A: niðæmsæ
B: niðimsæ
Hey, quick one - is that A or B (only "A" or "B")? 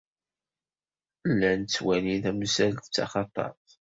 A